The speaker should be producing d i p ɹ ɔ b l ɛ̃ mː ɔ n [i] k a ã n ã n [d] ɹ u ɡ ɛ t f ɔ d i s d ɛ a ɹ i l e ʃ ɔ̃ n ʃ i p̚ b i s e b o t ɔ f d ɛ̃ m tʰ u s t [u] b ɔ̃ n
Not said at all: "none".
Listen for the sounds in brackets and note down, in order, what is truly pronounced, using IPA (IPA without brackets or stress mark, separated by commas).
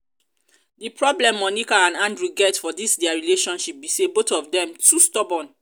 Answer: i, d, ɔ